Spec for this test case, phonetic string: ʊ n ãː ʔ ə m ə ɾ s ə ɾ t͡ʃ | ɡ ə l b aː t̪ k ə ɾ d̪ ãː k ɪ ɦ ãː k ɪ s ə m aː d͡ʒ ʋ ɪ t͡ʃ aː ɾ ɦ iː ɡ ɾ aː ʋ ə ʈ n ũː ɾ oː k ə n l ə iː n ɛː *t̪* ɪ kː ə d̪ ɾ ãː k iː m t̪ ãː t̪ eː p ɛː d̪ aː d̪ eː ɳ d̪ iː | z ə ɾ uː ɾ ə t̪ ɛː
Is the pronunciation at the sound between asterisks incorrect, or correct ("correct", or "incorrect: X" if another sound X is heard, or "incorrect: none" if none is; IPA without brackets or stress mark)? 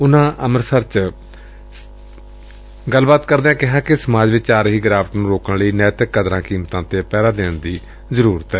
correct